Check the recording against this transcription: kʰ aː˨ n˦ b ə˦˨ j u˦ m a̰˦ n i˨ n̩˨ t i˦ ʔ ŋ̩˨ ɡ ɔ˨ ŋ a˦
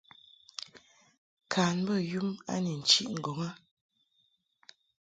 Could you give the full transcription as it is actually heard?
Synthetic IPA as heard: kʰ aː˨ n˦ b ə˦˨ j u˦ m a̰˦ n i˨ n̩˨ t͡ʃ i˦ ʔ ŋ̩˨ ɡ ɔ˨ ŋ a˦